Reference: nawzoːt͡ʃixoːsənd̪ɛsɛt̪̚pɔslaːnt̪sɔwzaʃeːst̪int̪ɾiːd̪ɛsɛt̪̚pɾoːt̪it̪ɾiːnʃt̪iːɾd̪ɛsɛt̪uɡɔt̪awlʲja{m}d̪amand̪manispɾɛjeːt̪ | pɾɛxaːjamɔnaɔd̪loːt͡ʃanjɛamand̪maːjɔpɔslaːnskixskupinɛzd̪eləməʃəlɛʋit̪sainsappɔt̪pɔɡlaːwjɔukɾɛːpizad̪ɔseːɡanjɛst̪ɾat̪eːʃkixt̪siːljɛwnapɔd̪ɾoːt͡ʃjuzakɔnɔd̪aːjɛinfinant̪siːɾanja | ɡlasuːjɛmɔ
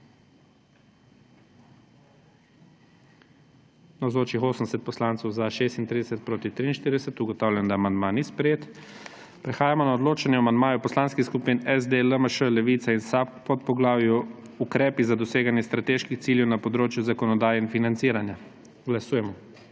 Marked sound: incorrect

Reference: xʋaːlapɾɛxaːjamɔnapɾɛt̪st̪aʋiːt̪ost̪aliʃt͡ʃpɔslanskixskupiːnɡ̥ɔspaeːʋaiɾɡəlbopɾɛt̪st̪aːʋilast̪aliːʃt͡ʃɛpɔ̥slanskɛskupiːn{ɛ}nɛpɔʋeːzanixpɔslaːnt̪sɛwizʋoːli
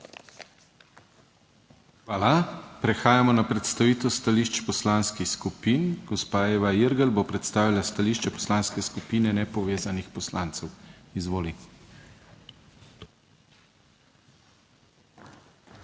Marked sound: correct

